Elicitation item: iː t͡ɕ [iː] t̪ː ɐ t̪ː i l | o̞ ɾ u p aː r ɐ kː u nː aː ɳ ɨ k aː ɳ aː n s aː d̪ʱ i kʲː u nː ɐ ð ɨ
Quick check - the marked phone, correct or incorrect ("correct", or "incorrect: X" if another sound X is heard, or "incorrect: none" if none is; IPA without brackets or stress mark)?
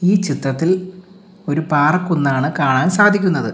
incorrect: i